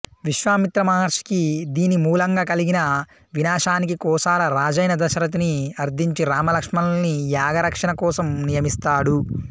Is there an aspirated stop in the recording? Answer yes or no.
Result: no